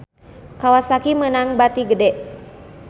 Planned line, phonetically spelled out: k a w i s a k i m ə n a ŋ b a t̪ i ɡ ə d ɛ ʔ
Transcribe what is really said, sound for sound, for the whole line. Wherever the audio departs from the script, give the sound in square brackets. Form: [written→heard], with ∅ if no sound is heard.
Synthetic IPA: k a w [i→a] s a k i m ə n a ŋ b a t̪ i ɡ ə d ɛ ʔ